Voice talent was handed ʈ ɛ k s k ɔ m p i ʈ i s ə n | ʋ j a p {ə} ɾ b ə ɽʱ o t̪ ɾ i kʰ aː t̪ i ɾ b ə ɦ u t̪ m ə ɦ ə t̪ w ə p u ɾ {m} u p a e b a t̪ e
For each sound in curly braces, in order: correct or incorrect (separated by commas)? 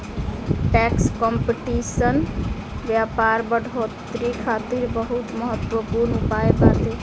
incorrect, incorrect